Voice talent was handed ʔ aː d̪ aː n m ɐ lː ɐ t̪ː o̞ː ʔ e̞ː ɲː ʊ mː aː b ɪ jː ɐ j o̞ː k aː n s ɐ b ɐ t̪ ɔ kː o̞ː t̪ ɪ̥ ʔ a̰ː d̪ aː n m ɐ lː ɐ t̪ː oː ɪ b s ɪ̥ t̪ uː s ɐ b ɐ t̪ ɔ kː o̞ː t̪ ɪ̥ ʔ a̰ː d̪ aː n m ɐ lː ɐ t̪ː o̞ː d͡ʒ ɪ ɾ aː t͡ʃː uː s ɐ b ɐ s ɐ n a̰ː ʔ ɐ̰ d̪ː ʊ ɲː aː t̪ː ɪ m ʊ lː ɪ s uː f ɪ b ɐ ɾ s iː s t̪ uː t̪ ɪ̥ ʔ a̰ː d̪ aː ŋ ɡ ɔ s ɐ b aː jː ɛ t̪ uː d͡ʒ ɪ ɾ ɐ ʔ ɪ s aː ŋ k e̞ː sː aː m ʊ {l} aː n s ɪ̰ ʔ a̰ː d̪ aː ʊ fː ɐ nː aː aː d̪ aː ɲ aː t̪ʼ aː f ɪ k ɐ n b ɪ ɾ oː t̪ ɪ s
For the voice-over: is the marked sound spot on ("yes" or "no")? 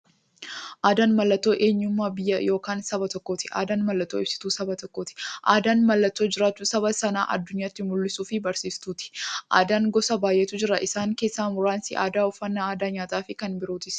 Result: no